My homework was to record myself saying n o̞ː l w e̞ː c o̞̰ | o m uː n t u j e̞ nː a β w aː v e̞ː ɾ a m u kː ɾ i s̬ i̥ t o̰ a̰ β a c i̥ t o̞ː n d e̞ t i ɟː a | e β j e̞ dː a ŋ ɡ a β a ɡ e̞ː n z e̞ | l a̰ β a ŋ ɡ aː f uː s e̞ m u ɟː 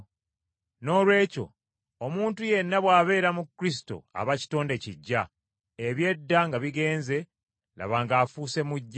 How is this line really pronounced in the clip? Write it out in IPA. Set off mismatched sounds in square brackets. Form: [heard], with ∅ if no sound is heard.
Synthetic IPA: n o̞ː l w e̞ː c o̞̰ | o m uː n t u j e̞ nː a β w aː [β] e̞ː ɾ a m u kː ɾ i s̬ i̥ t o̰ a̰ β a c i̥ t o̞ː n d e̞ [c] i ɟː a | e β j e̞ dː a ŋ ɡ a β [i] ɡ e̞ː n z e̞ | l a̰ β a ŋ ɡ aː f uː s e̞ m u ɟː